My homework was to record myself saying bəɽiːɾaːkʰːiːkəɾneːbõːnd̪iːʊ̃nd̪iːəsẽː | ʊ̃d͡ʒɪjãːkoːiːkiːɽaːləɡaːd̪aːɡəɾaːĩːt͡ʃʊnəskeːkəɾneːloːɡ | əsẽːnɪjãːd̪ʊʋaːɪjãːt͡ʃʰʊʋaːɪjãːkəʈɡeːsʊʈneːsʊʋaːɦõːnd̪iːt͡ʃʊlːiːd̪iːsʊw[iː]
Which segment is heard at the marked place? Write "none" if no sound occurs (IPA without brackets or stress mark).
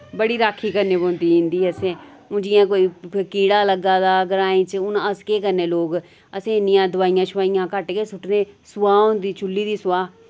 aː